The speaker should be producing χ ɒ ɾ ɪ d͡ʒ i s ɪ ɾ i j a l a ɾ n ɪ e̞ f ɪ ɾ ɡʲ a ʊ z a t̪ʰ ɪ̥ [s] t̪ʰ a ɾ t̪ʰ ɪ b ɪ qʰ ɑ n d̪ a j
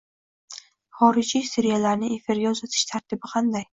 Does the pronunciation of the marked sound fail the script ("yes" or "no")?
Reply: yes